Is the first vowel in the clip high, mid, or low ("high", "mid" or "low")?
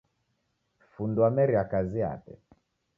high